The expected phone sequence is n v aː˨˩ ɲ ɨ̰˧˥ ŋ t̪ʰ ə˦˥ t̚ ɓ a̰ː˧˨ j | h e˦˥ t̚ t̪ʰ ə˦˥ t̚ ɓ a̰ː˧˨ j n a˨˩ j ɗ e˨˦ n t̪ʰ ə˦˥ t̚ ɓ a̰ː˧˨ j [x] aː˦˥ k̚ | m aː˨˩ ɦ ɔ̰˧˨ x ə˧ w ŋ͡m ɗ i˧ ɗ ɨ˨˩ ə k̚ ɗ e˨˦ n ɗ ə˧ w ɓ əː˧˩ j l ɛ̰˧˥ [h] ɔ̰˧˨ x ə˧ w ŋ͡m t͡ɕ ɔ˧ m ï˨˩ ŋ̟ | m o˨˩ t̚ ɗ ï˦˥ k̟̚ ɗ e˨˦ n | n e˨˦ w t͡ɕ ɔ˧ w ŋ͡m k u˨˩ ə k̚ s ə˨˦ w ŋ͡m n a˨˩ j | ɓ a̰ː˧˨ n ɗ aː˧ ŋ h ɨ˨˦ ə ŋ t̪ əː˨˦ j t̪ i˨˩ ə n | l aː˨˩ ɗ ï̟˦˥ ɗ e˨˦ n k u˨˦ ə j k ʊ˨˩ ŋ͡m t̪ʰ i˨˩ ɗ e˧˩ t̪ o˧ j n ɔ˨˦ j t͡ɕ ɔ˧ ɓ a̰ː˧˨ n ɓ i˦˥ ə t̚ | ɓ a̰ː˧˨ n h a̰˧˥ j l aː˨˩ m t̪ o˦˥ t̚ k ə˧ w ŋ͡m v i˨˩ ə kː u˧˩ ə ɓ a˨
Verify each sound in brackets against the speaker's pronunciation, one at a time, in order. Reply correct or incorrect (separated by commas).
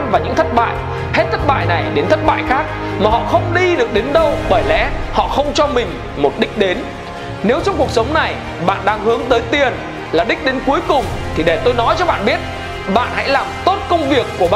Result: correct, correct